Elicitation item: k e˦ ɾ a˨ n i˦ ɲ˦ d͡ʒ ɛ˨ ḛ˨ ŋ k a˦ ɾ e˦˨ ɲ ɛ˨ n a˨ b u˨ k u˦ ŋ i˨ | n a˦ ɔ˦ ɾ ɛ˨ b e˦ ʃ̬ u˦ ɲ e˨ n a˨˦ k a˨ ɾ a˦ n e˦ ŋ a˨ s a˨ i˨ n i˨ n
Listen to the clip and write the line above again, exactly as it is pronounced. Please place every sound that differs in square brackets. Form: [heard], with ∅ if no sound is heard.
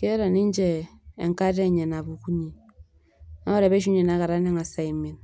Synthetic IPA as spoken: k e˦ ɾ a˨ n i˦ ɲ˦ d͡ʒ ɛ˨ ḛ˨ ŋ k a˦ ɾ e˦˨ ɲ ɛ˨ n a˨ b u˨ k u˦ [ɲ] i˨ | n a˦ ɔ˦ ɾ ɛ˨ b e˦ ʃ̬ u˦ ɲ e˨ n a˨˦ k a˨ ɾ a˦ n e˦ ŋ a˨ s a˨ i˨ [m] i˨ n

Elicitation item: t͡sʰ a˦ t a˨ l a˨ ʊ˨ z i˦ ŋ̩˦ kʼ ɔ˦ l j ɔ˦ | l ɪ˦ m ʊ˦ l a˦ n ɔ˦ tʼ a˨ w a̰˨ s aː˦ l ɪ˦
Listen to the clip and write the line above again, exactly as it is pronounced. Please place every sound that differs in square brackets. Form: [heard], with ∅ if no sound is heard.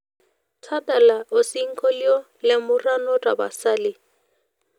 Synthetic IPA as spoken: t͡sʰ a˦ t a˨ l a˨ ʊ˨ [s] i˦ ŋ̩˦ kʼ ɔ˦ l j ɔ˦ | l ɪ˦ m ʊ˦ [r] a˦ n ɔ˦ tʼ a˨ [b] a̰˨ s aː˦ l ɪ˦

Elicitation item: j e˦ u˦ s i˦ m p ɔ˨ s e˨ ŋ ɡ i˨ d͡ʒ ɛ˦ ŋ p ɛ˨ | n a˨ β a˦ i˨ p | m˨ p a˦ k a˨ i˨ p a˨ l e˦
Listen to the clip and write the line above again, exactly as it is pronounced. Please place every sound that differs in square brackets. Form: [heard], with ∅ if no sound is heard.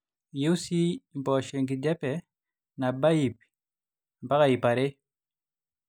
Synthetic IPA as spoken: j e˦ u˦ s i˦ m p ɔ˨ [ʃ] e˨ ŋ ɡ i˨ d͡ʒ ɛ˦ [∅] p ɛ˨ | n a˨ [b] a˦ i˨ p | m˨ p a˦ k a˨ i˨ p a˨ [ɾ] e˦

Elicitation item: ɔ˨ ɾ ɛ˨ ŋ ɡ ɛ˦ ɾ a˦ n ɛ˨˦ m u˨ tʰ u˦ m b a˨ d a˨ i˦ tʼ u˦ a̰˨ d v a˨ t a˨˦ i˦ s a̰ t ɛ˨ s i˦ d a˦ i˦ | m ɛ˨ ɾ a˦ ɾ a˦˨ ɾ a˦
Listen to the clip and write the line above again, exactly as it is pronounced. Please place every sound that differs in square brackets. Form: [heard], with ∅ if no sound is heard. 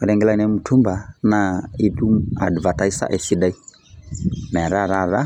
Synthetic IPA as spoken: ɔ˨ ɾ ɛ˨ ŋ ɡ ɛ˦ [l] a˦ n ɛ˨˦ m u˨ tʰ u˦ m b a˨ [n] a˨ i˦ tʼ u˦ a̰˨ d v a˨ t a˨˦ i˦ s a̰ [ʔ] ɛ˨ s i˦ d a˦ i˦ | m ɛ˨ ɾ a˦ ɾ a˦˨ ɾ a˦

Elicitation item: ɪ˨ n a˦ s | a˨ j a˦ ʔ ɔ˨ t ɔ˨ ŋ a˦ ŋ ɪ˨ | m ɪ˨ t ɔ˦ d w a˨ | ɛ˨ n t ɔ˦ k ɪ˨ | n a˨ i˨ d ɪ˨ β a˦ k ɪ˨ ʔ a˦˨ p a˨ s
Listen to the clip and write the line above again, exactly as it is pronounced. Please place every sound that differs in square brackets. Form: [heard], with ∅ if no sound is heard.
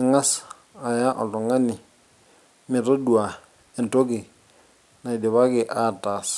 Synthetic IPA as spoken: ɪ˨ [ŋ] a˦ s | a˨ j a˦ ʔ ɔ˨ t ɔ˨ ŋ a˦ [n] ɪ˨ | m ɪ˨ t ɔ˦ d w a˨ | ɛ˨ n t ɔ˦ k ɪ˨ | n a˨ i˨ d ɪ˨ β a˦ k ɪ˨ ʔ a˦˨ [t] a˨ s

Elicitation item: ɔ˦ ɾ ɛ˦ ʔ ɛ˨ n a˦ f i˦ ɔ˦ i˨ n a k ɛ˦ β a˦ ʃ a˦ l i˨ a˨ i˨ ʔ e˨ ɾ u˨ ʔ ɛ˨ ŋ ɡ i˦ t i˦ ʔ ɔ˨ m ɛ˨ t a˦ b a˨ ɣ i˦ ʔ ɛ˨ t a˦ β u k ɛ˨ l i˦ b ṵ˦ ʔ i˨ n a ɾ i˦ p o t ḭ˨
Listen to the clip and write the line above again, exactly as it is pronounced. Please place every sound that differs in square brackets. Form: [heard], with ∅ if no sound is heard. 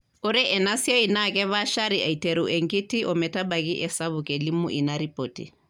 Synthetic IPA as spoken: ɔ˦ ɾ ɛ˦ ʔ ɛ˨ n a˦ [s] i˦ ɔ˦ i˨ n a k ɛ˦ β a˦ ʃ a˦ [ɾ] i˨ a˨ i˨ [t] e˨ ɾ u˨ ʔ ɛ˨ ŋ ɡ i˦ t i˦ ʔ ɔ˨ m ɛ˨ t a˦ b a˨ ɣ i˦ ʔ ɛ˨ [s] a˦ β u k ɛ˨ l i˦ [m] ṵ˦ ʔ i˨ n a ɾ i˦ p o t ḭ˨

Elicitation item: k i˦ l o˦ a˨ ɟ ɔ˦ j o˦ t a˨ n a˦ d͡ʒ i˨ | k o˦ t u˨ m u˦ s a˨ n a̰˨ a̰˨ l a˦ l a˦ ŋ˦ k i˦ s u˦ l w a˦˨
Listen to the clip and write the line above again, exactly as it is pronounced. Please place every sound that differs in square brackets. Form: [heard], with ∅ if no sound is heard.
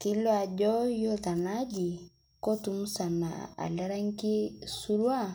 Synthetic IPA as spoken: k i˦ l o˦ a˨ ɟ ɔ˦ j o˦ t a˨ n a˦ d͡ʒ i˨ | k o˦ t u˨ m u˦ s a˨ n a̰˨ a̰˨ l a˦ [ɾ] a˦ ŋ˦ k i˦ s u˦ [ɾ] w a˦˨

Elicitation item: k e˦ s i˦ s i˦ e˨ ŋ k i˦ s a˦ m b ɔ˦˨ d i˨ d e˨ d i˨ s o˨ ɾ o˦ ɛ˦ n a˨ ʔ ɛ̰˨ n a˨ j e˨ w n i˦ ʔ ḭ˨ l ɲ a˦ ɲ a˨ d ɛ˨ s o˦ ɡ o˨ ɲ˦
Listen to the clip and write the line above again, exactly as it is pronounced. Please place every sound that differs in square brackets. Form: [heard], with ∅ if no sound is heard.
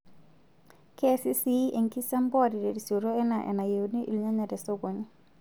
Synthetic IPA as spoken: k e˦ s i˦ s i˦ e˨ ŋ k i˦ s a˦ m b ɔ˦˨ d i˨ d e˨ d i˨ s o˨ ɾ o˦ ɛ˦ n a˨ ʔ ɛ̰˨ n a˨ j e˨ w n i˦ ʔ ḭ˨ l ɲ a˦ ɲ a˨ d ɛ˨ s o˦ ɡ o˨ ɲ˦

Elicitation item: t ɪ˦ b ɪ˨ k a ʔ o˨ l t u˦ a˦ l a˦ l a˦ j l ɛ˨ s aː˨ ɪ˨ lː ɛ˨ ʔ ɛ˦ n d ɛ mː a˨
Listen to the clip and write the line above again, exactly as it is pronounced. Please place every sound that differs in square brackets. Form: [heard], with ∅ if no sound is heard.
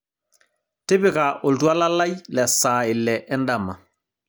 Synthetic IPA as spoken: t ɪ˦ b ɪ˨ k a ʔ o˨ l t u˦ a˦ l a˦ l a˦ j l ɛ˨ s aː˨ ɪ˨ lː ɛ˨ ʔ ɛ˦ n d [a] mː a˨

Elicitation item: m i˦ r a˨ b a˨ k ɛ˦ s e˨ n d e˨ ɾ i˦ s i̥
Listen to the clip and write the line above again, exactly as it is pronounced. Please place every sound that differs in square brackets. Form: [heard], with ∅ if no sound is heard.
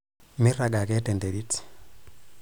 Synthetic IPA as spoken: m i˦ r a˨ [ɡ] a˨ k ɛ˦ [t] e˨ n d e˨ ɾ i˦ [t] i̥

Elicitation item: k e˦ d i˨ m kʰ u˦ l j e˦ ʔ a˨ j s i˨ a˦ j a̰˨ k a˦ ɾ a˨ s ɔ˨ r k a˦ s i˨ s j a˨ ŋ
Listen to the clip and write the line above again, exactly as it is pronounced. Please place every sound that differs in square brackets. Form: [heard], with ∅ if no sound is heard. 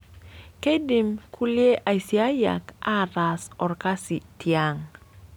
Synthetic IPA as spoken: k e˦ d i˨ m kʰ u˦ l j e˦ ʔ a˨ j s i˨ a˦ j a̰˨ k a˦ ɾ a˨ s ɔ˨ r k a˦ s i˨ [t] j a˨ ŋ

